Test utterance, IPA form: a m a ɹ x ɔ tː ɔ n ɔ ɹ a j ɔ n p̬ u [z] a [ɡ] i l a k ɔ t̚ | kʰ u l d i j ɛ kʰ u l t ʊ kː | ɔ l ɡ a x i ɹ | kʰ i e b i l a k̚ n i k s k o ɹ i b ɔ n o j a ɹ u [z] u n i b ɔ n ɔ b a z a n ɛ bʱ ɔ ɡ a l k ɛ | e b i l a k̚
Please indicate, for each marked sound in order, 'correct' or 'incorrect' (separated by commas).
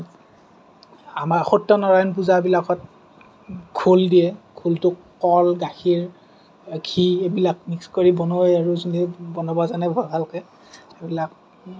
correct, incorrect, correct